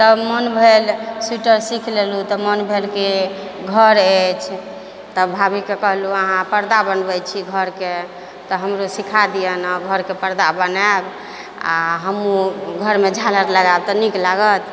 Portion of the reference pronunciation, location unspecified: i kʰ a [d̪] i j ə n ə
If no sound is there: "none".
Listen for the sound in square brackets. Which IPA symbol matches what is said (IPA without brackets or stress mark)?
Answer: d̪